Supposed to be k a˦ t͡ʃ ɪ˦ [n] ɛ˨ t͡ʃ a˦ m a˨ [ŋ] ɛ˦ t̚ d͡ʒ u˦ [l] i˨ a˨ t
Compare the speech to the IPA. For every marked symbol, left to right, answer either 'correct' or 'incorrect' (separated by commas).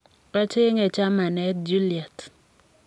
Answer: incorrect, incorrect, correct